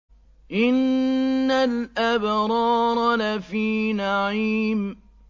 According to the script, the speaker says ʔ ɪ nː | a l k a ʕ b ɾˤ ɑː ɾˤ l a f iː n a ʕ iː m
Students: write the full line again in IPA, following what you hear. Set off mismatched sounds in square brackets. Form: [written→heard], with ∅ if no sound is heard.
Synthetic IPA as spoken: ʔ ɪ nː | a l [k→ʔ] a [ʕ→∅] b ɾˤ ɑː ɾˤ l a f iː n a ʕ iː m